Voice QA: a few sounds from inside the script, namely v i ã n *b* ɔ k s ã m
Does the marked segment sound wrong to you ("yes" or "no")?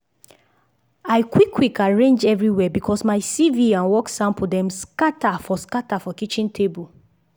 yes